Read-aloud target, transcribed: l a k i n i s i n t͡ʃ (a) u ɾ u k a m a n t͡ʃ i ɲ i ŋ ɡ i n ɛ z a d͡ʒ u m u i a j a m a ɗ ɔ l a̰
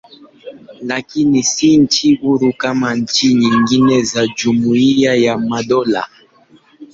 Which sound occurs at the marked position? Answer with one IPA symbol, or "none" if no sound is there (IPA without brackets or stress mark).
i